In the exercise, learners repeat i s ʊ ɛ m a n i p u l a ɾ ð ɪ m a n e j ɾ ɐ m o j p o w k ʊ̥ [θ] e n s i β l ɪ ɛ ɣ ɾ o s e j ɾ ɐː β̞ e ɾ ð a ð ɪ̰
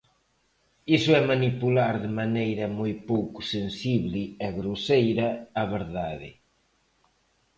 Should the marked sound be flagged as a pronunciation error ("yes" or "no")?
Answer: yes